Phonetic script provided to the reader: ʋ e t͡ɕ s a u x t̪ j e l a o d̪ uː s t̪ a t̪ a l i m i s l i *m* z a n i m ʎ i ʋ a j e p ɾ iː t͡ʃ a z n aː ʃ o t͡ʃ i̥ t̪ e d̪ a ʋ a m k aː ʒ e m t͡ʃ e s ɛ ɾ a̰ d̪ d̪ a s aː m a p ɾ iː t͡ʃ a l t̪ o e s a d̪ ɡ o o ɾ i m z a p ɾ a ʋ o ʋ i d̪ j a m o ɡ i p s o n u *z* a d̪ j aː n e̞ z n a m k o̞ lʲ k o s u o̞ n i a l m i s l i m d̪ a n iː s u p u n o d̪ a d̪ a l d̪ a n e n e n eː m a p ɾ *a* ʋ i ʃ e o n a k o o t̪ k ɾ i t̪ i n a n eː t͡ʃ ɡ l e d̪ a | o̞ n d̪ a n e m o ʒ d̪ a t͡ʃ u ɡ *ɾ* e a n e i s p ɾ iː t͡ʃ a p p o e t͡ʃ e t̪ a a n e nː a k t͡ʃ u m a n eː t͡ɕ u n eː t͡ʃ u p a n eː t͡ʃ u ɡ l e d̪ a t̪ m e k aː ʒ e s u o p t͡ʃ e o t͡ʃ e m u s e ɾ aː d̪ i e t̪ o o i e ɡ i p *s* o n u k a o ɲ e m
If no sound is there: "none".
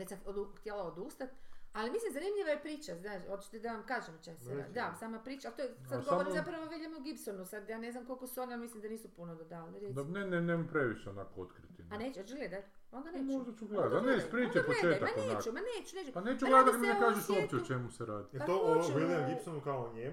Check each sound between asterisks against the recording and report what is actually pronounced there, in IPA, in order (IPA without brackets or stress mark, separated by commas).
m, s, e, l, s